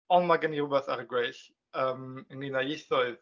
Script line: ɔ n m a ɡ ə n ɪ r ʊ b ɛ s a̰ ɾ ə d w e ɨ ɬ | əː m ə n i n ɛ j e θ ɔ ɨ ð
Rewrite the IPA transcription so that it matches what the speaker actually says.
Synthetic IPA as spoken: ɔ n m a ɡ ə n i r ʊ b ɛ θ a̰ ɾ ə ɡ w e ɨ ɬ | əː m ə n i n a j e θ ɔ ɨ ð